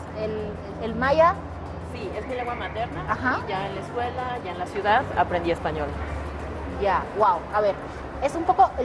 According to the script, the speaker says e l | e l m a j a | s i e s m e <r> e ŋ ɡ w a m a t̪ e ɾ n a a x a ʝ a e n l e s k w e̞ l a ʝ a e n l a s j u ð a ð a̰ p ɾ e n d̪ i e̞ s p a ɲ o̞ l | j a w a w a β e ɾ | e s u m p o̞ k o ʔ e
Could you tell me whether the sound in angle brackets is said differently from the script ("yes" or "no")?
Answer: yes